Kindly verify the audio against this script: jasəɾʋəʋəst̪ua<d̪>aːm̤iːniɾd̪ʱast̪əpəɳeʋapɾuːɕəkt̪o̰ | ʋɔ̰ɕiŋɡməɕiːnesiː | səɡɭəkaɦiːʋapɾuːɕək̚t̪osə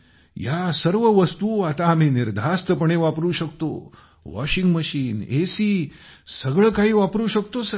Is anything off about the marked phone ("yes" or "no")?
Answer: yes